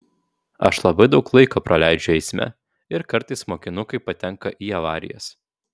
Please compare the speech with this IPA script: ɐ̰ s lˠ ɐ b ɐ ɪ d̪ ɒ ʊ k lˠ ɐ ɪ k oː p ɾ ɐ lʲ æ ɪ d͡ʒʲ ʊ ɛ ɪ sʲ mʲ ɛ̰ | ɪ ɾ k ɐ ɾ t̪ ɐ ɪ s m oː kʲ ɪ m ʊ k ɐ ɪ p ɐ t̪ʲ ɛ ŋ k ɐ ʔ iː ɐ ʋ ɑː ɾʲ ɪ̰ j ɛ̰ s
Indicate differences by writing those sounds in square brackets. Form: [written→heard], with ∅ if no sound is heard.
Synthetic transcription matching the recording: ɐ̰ [s→ʃ] lˠ ɐ b ɐ ɪ d̪ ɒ ʊ k lˠ ɐ ɪ k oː p ɾ ɐ lʲ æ ɪ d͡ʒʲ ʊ ɛ ɪ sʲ mʲ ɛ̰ | ɪ ɾ k ɐ ɾ t̪ ɐ ɪ s m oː kʲ ɪ [m→n] ʊ k ɐ ɪ p ɐ t̪ʲ ɛ ŋ k ɐ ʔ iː ɐ ʋ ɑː ɾʲ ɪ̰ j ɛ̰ s